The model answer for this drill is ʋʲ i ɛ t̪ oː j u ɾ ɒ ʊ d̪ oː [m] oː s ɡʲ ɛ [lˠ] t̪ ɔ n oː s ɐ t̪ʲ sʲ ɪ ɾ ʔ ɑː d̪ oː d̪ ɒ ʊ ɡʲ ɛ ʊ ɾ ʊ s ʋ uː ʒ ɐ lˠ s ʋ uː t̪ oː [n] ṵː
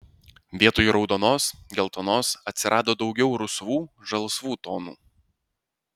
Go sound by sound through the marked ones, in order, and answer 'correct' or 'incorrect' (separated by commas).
incorrect, correct, correct